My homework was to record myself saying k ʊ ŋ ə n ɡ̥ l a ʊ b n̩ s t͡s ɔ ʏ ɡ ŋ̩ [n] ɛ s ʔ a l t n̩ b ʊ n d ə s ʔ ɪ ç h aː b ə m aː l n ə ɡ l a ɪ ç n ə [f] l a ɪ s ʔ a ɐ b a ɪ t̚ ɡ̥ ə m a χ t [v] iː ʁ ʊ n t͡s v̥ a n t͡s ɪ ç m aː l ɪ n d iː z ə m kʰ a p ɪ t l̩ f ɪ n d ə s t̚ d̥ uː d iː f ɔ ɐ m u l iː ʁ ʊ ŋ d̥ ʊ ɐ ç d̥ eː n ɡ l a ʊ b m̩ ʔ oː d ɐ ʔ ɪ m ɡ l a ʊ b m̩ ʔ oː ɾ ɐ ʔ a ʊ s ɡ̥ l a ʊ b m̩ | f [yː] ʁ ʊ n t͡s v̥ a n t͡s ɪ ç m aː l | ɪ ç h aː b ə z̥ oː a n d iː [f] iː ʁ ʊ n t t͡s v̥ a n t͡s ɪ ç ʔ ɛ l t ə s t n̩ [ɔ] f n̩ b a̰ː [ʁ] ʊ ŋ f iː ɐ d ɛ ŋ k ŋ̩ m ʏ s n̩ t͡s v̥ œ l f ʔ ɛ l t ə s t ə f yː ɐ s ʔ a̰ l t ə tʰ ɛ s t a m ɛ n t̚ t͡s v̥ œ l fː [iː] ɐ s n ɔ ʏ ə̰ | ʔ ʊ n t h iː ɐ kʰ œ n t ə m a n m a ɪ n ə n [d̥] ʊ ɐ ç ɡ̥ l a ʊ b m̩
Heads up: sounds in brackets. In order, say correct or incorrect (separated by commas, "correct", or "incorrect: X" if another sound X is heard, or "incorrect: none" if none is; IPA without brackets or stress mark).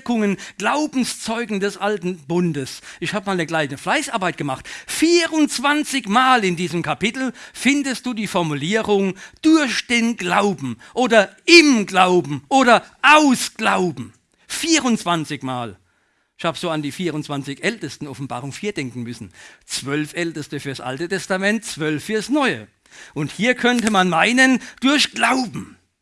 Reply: incorrect: d, correct, incorrect: f, incorrect: iː, correct, correct, correct, incorrect: yː, correct